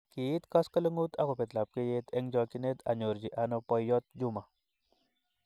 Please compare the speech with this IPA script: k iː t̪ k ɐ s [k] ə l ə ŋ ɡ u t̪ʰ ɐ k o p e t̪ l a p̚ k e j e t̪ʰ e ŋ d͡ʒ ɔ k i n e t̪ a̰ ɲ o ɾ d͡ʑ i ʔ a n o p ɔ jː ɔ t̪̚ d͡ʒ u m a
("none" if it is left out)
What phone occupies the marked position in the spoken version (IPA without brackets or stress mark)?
k